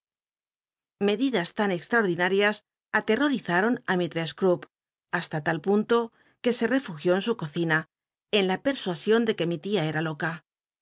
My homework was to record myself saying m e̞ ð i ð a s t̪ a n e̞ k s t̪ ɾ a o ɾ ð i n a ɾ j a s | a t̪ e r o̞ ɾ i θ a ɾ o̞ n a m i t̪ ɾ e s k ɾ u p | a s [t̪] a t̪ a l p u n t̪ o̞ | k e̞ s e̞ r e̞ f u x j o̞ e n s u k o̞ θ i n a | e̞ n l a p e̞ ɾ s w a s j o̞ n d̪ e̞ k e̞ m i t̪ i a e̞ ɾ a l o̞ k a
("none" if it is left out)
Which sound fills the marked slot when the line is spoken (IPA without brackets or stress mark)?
t̪